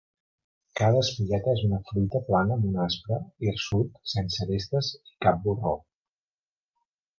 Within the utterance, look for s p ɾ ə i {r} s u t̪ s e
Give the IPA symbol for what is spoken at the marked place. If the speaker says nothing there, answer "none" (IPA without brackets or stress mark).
r